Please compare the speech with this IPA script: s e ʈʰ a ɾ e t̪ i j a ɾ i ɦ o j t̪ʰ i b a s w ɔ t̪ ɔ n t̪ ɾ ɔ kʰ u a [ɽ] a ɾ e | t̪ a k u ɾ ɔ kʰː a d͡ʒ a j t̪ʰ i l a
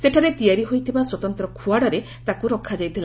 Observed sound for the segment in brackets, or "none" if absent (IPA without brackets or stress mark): ɽ